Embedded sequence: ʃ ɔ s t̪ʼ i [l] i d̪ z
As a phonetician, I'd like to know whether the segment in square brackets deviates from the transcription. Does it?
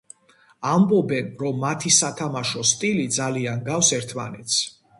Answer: no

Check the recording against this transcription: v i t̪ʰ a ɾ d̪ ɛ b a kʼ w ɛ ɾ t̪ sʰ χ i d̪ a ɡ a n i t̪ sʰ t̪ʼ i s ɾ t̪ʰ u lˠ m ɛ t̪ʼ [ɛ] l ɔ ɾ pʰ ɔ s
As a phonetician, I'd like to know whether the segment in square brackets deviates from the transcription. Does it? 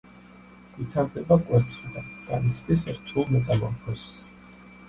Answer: yes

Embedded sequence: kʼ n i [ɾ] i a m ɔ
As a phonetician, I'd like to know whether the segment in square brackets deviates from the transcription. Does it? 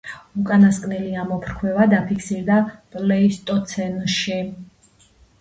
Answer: yes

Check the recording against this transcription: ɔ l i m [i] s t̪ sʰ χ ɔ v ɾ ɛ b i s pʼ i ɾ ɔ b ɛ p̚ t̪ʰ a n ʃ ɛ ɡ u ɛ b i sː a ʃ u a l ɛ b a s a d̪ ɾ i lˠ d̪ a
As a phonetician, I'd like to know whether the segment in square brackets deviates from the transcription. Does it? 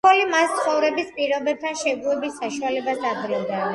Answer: yes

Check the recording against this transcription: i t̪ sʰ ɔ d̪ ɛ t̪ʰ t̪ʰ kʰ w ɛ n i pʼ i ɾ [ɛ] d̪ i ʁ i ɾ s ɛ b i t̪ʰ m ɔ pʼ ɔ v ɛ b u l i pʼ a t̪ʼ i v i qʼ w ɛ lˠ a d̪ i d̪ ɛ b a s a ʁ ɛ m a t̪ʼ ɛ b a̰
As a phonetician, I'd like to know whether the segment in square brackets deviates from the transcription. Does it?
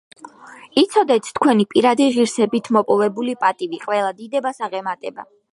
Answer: yes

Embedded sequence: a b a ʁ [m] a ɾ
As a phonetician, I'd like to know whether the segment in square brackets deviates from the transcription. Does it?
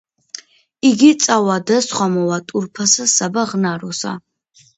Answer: yes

